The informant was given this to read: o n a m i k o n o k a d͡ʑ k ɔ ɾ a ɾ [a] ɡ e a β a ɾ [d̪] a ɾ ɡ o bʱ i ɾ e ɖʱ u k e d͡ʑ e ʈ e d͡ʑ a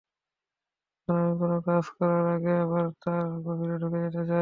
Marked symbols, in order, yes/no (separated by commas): yes, no